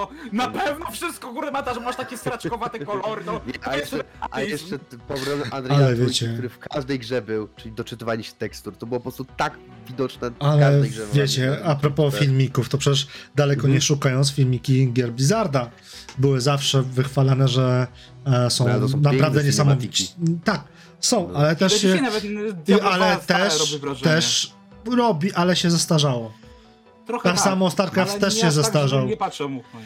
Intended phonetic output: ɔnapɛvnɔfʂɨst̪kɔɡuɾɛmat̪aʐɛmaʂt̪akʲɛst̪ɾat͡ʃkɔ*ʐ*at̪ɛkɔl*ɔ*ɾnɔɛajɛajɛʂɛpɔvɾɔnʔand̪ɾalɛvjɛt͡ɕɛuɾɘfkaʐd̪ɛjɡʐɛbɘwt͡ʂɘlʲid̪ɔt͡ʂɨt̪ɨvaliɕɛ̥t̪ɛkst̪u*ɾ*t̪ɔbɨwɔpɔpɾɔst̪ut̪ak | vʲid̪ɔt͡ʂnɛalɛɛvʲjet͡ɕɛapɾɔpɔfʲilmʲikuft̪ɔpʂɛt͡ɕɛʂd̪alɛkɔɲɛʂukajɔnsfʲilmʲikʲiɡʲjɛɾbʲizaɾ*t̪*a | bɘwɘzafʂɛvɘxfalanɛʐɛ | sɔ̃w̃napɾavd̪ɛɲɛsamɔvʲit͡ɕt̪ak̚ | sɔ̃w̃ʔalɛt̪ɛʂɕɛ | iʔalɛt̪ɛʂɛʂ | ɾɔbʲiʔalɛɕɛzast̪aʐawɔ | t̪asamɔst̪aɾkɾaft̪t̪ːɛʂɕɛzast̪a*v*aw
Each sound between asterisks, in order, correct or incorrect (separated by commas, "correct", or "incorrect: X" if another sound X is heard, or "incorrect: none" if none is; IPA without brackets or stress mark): incorrect: v, correct, correct, incorrect: d̪, incorrect: ʐ